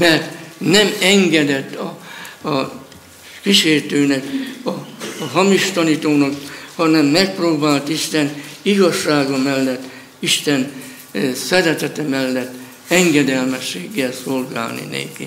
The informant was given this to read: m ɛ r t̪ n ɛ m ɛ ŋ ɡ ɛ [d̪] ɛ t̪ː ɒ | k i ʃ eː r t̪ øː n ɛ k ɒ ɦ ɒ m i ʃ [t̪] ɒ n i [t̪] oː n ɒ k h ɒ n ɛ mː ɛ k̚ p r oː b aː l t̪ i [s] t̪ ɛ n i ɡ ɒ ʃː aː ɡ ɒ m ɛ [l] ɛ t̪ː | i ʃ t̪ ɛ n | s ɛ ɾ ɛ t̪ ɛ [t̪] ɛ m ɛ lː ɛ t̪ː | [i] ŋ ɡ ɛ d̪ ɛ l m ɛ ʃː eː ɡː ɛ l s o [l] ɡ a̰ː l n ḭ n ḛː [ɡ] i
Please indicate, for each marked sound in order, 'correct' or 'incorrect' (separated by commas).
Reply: correct, correct, correct, incorrect, incorrect, correct, incorrect, correct, incorrect